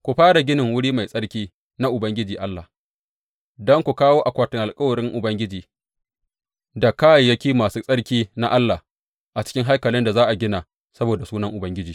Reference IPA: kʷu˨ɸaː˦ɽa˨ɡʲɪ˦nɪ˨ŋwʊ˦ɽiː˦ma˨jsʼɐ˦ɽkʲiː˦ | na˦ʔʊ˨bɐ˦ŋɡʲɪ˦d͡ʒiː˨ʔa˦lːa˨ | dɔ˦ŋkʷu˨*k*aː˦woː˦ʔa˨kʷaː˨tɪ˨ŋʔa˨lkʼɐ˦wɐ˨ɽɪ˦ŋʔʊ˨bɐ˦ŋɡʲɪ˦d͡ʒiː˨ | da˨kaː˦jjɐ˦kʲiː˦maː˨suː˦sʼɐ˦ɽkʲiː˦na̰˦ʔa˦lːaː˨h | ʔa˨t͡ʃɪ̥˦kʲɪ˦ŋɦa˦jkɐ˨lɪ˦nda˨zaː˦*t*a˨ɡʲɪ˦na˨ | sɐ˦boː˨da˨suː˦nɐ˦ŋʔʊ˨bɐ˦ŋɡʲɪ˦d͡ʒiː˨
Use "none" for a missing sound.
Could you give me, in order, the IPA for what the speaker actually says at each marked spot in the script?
k, ʔ

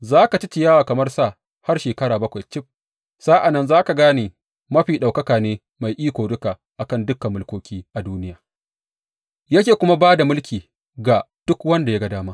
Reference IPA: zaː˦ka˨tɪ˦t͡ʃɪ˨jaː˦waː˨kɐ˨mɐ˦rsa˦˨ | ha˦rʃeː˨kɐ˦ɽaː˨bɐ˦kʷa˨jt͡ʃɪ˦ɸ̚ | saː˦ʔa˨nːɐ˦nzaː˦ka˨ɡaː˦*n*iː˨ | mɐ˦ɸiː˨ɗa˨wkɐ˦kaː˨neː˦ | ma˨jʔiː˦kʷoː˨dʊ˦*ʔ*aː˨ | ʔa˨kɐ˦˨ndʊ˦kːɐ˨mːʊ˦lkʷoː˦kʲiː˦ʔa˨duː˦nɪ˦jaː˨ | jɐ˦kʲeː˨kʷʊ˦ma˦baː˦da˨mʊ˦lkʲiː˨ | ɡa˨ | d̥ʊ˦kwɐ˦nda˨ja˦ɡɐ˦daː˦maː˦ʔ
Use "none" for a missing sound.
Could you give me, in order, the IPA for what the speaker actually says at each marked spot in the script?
n, k

